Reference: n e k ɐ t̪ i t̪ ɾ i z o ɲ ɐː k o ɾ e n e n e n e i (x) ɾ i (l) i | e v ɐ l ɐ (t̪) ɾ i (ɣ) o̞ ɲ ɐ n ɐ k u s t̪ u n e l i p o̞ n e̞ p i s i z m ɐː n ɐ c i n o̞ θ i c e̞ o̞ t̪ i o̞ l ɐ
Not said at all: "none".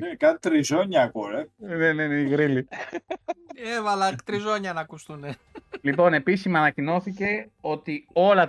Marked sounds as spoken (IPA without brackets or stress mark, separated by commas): ɣ, l, t̪, z